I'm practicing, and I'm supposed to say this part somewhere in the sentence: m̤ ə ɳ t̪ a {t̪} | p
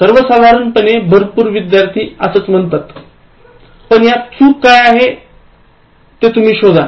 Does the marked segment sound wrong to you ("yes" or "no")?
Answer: no